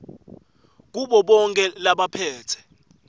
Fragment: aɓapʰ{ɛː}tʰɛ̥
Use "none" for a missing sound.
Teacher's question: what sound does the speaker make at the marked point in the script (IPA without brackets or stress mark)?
ɛː